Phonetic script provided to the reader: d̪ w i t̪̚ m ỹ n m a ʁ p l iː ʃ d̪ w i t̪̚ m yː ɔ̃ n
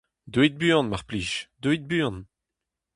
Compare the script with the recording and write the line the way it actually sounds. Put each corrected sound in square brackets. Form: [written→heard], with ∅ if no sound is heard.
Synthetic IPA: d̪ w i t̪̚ [m→b] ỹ n m a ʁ p l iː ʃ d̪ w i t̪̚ [m→b] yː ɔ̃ n

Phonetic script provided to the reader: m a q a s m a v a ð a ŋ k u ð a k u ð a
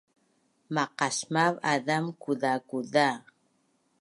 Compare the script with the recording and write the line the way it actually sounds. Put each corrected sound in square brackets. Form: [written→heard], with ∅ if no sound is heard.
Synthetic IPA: m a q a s m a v a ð a [ŋ→m] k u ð a k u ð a

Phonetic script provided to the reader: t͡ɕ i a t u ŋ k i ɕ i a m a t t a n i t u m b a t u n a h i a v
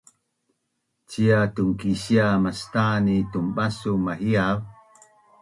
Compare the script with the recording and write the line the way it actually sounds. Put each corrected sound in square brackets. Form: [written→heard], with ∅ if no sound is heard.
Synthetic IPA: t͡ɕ i a t u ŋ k i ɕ i a m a [t→s] t a n i t u m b a [t→s] u [n→m] a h i a v

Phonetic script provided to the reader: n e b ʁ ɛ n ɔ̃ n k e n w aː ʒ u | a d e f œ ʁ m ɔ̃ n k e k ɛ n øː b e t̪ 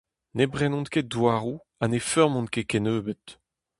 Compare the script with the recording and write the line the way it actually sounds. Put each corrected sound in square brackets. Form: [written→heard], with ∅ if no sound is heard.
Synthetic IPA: n e b ʁ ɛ n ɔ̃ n k e [n→d] w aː [ʒ→ʁ] u | a [d→n] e f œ ʁ m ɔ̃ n k e k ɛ n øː b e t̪

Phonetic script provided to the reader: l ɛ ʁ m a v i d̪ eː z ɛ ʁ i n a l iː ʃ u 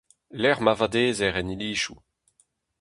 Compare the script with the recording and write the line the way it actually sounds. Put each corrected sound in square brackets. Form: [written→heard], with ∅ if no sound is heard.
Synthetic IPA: l ɛ ʁ m a v [i→a] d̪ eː z ɛ ʁ [i→ɛ] n [a→i] l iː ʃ u

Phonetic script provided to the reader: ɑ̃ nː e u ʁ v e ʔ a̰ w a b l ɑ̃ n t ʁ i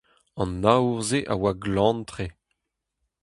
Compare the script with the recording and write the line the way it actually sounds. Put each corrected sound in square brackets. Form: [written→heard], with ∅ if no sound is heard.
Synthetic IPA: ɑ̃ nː [e→a] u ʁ [v→z] e ʔ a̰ w a [b→ɡ] l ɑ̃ n t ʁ [i→e]

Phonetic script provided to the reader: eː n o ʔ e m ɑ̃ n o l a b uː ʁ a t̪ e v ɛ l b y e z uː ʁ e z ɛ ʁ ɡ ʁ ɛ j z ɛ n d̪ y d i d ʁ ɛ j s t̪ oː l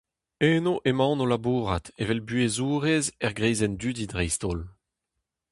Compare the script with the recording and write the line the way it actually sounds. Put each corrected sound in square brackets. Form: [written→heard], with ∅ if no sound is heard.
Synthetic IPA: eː n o ʔ e m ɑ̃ n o l a b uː ʁ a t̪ e v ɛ l b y e z uː ʁ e z ɛ ʁ ɡ ʁ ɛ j z ɛ n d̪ y d i d ʁ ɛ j s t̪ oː l

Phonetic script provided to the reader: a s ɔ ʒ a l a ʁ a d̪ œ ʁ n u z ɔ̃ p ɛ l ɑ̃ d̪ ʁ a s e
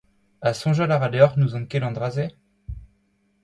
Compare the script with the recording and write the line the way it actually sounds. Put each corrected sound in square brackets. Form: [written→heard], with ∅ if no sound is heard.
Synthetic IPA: a s [ɔ→ɔ̃] ʒ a l a ʁ a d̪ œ ʁ n u z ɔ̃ [p→k] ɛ l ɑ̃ d̪ ʁ a [s→z] e

